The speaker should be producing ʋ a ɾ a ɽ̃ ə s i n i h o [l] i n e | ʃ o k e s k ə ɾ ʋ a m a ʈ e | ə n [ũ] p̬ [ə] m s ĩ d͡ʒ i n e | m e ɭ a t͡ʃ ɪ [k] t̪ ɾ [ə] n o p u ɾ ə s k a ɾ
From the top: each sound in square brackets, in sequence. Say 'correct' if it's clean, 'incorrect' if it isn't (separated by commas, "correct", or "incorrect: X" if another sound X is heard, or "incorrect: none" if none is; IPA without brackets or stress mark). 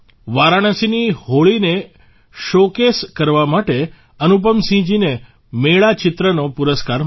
incorrect: ɭ, incorrect: u, correct, incorrect: none, correct